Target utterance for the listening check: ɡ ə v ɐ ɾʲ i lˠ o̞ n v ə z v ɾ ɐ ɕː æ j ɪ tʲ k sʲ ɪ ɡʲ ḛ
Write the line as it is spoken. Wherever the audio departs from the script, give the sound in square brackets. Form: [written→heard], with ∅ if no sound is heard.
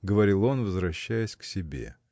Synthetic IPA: ɡ ə v ɐ ɾʲ i lˠ o̞ n v ə z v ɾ ɐ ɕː æ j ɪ [tʲ→sʲ] k sʲ ɪ [ɡʲ→bʲ] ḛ